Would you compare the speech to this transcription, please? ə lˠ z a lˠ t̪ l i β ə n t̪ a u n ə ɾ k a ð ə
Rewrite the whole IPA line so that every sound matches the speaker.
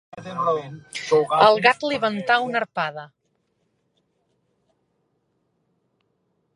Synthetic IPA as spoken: ə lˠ ɣ a t̪ l i β ə n t̪ a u n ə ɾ p a ð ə